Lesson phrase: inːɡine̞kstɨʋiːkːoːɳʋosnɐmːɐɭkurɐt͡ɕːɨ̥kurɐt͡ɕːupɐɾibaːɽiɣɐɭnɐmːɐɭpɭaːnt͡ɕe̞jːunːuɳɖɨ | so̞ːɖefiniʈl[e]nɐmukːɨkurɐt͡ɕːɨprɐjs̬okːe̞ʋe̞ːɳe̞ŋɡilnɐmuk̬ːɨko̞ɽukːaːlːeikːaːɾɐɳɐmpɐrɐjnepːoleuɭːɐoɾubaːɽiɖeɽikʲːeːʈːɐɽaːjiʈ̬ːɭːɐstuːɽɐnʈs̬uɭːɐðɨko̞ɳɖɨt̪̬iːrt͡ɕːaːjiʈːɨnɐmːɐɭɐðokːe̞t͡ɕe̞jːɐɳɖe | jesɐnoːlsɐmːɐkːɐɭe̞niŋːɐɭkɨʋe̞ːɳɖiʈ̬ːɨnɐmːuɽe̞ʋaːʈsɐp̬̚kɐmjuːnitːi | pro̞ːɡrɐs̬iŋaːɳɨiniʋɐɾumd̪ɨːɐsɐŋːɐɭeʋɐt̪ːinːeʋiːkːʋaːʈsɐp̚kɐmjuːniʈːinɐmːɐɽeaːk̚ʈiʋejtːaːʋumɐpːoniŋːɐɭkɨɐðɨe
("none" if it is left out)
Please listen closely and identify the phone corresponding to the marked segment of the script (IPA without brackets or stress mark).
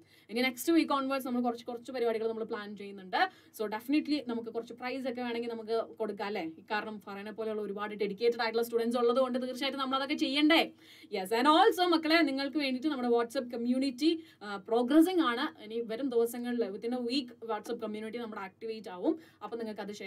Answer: i